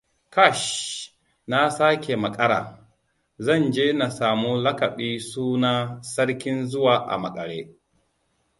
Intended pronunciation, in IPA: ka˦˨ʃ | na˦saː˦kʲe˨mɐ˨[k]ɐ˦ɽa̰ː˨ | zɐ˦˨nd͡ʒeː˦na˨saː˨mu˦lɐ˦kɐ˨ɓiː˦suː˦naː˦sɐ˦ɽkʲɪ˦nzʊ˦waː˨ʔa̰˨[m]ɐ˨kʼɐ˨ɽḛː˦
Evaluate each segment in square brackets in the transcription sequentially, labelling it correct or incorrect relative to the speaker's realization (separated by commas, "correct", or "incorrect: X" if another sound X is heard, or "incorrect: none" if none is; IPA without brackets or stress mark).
incorrect: kʼ, correct